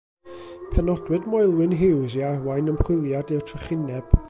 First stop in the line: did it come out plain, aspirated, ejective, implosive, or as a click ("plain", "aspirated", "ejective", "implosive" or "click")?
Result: aspirated